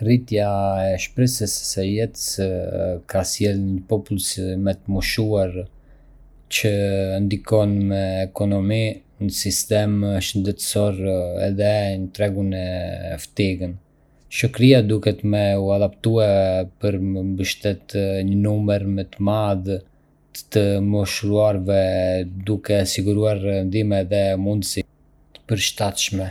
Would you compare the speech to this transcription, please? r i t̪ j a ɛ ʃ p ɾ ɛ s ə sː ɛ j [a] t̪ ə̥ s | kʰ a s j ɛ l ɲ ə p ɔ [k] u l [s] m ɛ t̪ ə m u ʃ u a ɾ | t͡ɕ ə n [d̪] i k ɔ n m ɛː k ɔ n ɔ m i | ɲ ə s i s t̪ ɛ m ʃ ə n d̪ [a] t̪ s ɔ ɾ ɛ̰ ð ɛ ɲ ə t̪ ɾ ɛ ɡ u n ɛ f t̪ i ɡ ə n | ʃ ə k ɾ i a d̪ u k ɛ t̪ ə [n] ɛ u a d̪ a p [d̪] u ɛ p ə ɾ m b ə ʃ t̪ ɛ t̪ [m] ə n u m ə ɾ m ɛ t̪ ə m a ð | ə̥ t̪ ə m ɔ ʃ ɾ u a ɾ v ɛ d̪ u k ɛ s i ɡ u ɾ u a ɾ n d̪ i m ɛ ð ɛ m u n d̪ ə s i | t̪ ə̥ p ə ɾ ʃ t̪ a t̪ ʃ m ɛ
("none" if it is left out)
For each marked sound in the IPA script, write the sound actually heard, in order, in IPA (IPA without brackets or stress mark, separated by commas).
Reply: ɛ, p, s, d̪, ɛ, m, t̪, ɲ